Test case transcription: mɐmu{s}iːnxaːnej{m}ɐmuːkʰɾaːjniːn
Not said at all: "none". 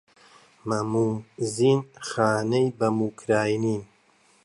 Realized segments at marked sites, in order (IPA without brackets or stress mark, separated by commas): z, b